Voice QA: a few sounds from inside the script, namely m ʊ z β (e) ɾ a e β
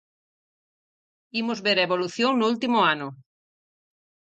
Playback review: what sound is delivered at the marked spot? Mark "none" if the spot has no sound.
e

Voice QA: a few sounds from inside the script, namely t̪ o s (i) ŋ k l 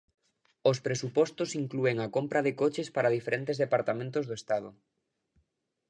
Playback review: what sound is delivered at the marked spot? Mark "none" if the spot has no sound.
i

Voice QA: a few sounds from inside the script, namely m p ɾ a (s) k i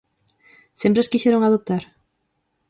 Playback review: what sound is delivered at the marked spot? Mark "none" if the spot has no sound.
s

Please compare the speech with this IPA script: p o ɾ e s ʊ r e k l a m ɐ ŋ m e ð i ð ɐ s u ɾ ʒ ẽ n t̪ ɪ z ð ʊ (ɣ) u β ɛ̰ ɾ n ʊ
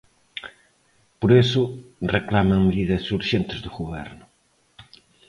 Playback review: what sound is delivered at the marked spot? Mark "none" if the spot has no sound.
ɣ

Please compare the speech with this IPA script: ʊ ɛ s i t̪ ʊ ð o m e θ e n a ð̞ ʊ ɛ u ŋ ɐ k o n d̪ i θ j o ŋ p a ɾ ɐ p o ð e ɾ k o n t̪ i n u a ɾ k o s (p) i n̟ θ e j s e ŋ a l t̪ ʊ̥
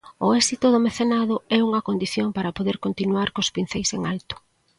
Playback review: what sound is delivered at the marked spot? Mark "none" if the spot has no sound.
p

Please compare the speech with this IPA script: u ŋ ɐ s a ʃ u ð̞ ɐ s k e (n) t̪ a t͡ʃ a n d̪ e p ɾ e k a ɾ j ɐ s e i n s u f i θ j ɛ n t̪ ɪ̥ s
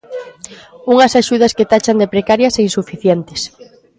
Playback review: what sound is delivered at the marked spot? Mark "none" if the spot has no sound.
none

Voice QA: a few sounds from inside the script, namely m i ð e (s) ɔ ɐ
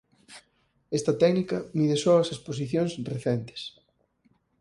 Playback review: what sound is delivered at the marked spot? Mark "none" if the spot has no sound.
s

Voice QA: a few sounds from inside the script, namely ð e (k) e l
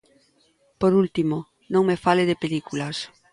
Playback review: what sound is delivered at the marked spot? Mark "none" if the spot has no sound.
p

